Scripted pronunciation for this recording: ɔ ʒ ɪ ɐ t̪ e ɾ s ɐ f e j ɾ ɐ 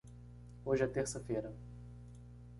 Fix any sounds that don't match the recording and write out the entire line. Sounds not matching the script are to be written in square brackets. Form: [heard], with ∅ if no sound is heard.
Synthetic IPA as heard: [o] ʒ ɪ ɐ t̪ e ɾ s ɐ f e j ɾ ɐ